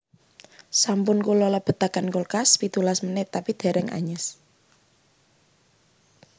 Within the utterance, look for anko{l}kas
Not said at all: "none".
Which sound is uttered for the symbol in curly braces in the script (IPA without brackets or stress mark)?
l